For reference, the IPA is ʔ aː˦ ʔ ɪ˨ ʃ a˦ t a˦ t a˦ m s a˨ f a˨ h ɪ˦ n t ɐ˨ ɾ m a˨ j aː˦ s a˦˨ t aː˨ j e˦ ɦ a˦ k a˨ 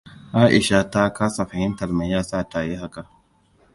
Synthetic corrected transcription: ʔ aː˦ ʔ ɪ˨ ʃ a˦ t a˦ k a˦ s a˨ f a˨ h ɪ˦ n t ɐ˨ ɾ m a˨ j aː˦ s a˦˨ t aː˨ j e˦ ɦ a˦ k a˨